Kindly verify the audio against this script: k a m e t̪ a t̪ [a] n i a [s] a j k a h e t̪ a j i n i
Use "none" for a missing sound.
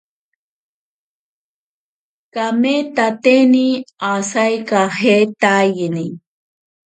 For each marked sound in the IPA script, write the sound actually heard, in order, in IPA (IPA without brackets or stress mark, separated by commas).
e, s